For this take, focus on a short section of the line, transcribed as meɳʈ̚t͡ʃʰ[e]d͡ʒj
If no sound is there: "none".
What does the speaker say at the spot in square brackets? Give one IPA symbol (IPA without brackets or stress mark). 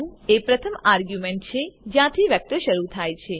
e